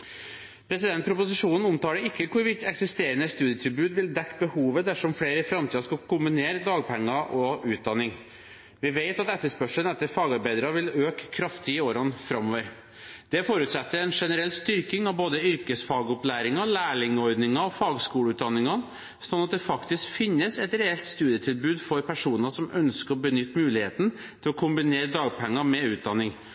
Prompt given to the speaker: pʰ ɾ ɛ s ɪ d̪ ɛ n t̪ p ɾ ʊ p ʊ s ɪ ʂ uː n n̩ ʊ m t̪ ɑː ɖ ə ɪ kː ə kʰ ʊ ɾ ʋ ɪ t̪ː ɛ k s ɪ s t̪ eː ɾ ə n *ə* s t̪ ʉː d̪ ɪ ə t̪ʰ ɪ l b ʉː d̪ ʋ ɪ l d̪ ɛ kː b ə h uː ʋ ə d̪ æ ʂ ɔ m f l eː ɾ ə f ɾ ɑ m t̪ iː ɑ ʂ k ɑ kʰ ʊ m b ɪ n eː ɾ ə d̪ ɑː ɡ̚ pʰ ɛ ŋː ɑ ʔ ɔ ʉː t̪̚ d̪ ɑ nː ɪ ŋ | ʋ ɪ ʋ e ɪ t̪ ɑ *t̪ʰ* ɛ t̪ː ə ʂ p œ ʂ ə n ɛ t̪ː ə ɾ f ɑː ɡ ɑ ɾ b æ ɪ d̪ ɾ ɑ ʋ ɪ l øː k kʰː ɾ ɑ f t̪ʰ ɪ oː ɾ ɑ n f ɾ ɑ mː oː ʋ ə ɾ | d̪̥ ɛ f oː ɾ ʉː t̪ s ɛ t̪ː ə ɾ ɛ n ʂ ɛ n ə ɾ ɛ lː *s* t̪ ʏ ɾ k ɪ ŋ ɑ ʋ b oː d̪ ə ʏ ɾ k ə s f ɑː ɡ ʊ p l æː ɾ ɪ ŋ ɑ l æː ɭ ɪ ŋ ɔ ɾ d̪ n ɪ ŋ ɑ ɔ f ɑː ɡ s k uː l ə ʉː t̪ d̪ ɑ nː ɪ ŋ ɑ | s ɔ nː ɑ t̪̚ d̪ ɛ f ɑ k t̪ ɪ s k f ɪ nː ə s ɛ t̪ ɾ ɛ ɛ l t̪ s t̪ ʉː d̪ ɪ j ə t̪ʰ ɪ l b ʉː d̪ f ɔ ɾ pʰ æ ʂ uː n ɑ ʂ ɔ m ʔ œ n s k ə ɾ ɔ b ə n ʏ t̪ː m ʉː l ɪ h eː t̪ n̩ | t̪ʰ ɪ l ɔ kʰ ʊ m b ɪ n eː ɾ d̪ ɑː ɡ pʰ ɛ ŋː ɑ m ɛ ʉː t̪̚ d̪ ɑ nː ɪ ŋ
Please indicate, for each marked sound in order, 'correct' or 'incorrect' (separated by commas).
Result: correct, incorrect, correct